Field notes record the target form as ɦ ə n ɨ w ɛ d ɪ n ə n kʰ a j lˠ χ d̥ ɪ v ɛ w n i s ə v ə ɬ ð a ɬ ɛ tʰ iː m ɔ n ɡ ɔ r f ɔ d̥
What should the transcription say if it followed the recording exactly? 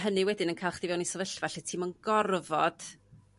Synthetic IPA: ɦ ə n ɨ w ɛ d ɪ n ə n kʰ a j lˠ χ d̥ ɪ v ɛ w n i s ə v ə ɬ v a ɬ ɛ tʰ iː m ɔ n ɡ ɔ r v ɔ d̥